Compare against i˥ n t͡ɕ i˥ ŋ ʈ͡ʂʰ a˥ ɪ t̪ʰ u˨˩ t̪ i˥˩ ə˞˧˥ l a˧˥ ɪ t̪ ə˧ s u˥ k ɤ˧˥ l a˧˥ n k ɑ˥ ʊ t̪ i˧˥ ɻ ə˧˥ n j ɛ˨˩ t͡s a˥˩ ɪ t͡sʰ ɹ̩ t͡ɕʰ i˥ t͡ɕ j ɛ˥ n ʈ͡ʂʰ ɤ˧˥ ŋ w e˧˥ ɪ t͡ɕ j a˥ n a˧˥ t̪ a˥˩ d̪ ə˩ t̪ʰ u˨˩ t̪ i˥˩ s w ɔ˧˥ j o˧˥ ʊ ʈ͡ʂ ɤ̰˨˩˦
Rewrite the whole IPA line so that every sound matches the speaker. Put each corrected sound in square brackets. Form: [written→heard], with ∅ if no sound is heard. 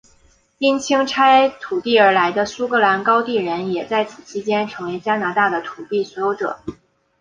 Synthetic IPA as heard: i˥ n [t͡ɕ→t͡ɕʰ] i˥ ŋ ʈ͡ʂʰ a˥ ɪ t̪ʰ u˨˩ t̪ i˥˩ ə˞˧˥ l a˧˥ ɪ [t̪→d̪] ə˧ s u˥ k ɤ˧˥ l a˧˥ n k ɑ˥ ʊ t̪ [i˧˥→i˥˩] ɻ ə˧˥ n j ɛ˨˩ t͡s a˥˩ ɪ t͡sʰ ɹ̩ t͡ɕʰ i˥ t͡ɕ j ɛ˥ n ʈ͡ʂʰ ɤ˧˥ ŋ w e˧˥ ɪ t͡ɕ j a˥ n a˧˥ t̪ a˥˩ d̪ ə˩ t̪ʰ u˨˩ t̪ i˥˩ s w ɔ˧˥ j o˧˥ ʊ ʈ͡ʂ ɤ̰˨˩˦